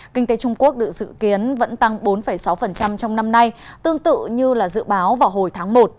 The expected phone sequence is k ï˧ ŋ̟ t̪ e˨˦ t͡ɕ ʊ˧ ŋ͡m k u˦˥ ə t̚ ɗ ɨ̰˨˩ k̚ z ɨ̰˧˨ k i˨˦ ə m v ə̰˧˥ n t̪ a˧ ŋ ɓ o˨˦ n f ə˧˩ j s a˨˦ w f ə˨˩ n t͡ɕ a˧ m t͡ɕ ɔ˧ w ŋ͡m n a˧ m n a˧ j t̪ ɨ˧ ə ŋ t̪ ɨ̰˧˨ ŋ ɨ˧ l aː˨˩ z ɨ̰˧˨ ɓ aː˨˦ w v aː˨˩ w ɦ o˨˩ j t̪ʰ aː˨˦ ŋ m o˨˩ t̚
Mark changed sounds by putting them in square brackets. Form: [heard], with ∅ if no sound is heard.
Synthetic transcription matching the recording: k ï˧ ŋ̟ t̪ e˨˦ t͡ɕ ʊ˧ ŋ͡m k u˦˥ ə [k̚] ɗ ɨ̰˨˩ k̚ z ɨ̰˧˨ k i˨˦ ə [n] v ə̰˧˥ n t̪ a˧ ŋ ɓ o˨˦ n f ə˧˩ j s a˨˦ w f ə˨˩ n t͡ɕ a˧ m t͡ɕ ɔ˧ w ŋ͡m n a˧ m n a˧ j t̪ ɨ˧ ə ŋ t̪ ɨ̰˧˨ [ɲ] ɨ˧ l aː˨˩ z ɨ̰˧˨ ɓ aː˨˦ w v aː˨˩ w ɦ o˨˩ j t̪ʰ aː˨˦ ŋ m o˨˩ t̚

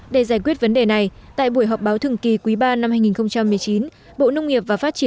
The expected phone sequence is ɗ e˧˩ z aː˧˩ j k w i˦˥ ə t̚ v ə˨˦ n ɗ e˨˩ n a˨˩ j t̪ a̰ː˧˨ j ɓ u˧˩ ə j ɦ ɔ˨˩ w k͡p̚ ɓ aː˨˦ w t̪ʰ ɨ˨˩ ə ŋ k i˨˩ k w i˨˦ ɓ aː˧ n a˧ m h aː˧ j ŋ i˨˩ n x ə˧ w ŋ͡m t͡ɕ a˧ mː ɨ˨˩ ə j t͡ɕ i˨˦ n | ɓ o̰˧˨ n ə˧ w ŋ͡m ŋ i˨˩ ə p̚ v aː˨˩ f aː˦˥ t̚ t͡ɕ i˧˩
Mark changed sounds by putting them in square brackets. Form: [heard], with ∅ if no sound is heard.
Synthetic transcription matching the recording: ɗ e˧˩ z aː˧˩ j k w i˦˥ ə t̚ v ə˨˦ n ɗ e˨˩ n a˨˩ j t̪ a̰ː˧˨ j ɓ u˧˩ ə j ɦ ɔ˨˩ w k͡p̚ ɓ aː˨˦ w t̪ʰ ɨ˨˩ ə ŋ k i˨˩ k w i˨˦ ɓ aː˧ n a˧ m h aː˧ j ŋ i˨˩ n x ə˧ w ŋ͡m t͡ɕ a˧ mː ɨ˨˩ ə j t͡ɕ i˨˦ n | ɓ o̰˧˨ n ə˧ w ŋ͡m ŋ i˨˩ ə p̚ v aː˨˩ f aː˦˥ t̚ t͡ɕ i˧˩

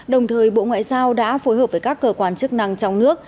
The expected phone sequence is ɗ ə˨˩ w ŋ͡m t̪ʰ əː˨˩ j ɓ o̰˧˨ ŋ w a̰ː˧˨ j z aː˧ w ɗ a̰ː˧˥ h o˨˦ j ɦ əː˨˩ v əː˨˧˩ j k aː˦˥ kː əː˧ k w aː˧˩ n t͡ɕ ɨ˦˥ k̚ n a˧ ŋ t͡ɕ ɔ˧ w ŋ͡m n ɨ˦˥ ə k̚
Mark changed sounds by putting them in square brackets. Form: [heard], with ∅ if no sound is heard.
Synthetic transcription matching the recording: ɗ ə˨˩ w ŋ͡m t̪ʰ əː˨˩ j ɓ o̰˧˨ ŋ w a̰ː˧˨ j z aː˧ w ɗ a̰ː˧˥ [f] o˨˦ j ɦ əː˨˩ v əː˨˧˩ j k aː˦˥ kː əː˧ k w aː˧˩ n t͡ɕ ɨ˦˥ k̚ n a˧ ŋ t͡ɕ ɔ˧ w ŋ͡m n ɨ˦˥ ə k̚

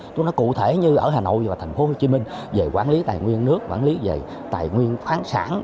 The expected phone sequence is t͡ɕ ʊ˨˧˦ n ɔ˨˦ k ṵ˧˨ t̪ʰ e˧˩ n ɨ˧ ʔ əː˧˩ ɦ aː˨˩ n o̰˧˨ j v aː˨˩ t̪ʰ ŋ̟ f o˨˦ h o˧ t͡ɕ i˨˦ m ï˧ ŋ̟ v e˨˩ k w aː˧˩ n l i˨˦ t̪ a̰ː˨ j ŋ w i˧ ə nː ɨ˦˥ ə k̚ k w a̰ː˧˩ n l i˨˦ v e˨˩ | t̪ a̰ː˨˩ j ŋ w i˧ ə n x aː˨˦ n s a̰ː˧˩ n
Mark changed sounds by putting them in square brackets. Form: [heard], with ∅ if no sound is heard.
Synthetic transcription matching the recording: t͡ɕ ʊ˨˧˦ n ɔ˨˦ k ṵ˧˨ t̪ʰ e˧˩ [ɲ] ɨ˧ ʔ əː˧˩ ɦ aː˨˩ n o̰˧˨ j v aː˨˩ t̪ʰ ŋ̟ f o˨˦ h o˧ t͡ɕ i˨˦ m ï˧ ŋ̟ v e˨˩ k w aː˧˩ n l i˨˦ t̪ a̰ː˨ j ŋ w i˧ ə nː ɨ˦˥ ə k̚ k w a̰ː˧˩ n l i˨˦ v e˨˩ | t̪ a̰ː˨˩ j ŋ w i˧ ə n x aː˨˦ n s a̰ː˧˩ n

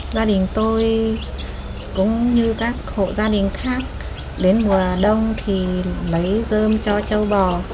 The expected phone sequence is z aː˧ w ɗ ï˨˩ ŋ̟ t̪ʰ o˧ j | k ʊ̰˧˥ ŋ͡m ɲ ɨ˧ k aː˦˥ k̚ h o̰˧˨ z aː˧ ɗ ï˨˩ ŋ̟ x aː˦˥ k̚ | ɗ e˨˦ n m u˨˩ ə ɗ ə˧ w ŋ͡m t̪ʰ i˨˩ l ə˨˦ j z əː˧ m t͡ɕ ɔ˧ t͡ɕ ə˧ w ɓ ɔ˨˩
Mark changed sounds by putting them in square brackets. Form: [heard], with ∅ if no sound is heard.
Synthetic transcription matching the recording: z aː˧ [∅] ɗ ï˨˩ ŋ̟ [t̪] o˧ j | k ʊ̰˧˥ ŋ͡m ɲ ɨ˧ k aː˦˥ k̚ h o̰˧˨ z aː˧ ɗ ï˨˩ ŋ̟ x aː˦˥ k̚ | ɗ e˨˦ n m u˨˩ ə ɗ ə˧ w ŋ͡m t̪ʰ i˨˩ l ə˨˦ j z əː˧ m t͡ɕ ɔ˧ t͡ɕ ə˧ w ɓ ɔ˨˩

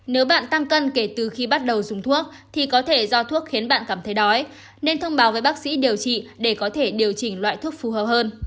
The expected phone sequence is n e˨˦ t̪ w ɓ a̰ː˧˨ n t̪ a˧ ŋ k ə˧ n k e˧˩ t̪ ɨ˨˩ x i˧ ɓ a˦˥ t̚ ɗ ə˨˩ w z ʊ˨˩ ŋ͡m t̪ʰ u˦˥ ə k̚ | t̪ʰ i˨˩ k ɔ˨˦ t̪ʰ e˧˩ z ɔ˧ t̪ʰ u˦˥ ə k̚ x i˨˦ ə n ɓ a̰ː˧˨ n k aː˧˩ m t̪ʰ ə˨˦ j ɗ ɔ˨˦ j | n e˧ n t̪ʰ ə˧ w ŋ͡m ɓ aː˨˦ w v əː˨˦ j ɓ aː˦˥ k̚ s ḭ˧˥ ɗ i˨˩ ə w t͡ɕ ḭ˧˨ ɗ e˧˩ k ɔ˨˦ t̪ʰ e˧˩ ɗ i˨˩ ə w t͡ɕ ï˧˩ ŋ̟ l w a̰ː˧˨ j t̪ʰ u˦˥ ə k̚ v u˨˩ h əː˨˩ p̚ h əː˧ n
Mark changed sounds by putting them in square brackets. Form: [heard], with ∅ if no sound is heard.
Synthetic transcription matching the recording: n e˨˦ [∅] w ɓ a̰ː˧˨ n t̪ a˧ ŋ k ə˧ n k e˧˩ t̪ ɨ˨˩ x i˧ ɓ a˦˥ t̚ ɗ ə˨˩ w z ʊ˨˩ ŋ͡m t̪ʰ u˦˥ ə k̚ | t̪ʰ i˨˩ k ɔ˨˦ t̪ʰ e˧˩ z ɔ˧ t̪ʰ u˦˥ ə k̚ x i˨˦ ə n ɓ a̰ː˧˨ n k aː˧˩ m t̪ʰ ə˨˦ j ɗ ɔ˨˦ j | n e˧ n t̪ʰ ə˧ w ŋ͡m ɓ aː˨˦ w v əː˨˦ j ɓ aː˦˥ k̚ s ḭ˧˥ ɗ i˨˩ ə w t͡ɕ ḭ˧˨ ɗ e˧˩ k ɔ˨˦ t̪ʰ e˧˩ ɗ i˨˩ ə w t͡ɕ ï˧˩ ŋ̟ l w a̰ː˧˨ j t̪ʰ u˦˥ ə k̚ [f] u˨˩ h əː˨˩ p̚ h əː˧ n

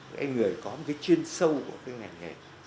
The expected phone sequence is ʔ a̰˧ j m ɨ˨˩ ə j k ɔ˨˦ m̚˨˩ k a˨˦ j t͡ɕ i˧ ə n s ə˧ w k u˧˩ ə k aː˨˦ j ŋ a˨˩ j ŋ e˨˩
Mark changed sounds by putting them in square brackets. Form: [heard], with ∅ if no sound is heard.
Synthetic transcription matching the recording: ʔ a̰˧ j [ŋ] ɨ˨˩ ə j k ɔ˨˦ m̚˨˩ k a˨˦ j t͡ɕ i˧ ə n s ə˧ w k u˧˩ ə k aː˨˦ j ŋ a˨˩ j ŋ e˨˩

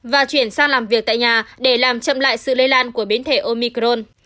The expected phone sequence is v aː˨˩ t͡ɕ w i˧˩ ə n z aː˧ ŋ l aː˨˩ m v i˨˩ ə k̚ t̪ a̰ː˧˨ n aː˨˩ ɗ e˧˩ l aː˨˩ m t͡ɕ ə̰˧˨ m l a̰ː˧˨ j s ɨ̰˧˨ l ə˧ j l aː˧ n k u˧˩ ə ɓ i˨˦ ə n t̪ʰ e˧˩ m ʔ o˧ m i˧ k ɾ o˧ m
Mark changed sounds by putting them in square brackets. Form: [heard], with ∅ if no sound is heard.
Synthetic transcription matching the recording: v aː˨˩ t͡ɕ w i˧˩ ə n [s] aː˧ ŋ l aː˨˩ m v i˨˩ ə k̚ t̪ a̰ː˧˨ [ɲ] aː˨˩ ɗ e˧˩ l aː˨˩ m t͡ɕ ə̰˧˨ m l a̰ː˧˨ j s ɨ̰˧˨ l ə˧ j l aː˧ n k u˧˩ ə ɓ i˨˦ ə n t̪ʰ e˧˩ [∅] ʔ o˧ m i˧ k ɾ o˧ [n]

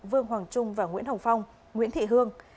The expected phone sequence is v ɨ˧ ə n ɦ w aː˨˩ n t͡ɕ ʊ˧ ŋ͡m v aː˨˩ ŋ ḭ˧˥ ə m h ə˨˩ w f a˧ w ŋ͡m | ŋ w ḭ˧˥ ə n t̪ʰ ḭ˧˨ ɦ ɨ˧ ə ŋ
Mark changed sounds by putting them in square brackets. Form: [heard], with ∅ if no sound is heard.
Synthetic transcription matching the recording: v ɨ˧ ə [ŋ] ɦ w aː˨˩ [ŋ] t͡ɕ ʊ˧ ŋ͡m v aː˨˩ ŋ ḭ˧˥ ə [n] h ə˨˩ w f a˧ w ŋ͡m | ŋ w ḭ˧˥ ə n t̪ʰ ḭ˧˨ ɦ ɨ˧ ə ŋ

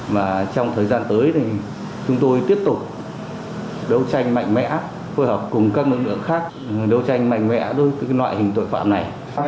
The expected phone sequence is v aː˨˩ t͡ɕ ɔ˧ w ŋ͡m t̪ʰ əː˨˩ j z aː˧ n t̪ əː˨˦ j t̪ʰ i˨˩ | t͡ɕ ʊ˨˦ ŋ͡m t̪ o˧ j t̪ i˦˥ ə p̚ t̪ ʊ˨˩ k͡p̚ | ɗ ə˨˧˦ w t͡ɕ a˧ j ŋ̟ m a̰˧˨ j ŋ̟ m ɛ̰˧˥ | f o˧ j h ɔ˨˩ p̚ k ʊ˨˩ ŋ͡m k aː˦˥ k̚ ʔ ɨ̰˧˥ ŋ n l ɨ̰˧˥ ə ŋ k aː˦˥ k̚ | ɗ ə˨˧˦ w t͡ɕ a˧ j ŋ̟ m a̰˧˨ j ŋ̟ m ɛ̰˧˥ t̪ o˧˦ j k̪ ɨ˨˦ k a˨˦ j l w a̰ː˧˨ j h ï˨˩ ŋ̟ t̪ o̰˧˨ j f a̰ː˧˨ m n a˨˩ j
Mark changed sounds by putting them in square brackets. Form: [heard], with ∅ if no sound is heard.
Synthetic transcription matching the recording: v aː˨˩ t͡ɕ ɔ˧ w ŋ͡m t̪ʰ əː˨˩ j z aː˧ n t̪ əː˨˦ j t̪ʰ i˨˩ | t͡ɕ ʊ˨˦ ŋ͡m t̪ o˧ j t̪ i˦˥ ə p̚ t̪ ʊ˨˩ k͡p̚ | ɗ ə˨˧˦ w t͡ɕ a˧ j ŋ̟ m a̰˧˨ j ŋ̟ m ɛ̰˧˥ | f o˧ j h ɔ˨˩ p̚ k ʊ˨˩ ŋ͡m k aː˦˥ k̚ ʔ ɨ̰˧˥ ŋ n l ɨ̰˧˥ ə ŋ [x] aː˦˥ k̚ | ɗ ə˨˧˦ w t͡ɕ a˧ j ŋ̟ m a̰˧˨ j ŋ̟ m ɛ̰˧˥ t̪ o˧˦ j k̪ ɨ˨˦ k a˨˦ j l w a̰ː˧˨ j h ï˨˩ ŋ̟ t̪ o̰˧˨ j f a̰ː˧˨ m n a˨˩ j

